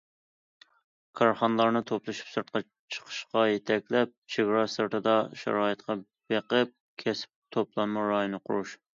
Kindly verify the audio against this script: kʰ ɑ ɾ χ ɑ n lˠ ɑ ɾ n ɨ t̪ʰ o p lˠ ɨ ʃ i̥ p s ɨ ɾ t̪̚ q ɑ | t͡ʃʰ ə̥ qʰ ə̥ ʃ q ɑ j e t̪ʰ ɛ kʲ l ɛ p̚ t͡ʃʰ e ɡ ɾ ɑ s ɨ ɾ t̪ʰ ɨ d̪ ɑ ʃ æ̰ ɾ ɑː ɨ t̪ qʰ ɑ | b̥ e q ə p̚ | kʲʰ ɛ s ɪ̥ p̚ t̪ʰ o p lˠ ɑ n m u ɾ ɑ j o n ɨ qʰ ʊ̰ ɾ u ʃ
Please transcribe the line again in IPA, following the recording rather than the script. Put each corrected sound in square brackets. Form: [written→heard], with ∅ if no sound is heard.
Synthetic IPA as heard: kʰ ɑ ɾ χ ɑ n lˠ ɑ ɾ n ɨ t̪ʰ o p lˠ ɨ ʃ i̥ p s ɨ ɾ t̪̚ q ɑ | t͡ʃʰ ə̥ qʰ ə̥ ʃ q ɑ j e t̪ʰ ɛ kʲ l ɛ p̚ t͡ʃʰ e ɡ ɾ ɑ s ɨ ɾ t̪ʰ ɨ d̪ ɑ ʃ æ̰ ɾ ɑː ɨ t̪ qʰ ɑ | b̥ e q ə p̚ | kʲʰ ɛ s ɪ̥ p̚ t̪ʰ o p lˠ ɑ n m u ɾ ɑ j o n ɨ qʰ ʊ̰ ɾ u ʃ

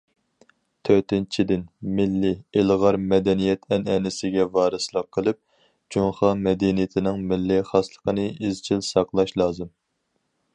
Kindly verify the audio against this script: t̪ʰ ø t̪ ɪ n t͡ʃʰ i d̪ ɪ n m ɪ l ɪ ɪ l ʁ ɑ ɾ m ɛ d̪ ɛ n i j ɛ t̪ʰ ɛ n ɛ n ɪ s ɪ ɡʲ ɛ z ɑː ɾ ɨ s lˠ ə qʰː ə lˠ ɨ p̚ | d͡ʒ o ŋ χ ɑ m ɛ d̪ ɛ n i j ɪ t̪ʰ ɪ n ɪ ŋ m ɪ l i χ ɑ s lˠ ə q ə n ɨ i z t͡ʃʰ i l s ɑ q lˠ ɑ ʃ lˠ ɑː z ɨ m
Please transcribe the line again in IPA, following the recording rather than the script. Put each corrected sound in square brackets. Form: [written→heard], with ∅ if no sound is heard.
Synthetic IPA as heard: t̪ʰ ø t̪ ɪ n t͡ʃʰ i d̪ ɪ n m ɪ [l→lː] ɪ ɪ l ʁ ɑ ɾ m ɛ d̪ ɛ n i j ɛ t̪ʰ ɛ n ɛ n ɪ s ɪ ɡʲ ɛ [z→v] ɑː ɾ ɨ s lˠ ə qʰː ə lˠ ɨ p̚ | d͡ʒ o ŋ χ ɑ m ɛ d̪ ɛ n i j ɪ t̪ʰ ɪ n ɪ ŋ m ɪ [l→lː] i χ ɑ s lˠ ə q ə n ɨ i z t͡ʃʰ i l s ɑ q lˠ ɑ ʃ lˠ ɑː z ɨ m

